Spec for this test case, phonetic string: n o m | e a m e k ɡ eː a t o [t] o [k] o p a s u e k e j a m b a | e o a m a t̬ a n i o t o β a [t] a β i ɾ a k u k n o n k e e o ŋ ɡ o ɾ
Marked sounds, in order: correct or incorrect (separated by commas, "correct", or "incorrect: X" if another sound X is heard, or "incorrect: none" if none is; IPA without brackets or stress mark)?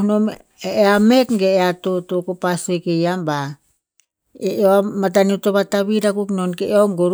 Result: correct, correct, correct